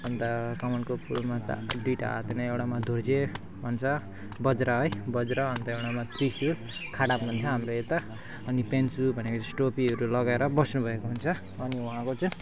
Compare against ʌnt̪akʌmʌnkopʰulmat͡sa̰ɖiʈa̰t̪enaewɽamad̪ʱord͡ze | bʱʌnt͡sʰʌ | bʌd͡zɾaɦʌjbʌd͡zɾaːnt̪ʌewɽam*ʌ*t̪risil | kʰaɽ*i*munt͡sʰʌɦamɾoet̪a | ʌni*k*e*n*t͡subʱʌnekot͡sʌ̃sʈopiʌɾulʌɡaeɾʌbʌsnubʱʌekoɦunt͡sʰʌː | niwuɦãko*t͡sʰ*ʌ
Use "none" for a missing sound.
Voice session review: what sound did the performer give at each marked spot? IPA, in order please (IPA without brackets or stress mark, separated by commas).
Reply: a, a, p, n, t͡s